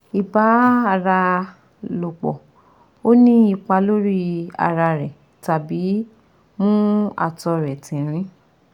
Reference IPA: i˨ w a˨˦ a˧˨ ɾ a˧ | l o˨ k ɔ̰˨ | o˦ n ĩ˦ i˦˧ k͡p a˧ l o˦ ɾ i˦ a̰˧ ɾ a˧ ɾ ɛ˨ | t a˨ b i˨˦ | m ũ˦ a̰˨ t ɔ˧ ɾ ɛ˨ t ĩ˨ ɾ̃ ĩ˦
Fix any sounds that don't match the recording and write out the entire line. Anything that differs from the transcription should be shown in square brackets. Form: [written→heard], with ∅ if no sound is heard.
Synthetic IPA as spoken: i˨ [w→b] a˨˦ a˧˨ ɾ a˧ | l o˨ [k→k͡p] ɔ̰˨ | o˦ n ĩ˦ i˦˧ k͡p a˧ l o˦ ɾ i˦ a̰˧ ɾ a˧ ɾ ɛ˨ | t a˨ b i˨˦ | m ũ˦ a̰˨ t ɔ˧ ɾ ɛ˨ t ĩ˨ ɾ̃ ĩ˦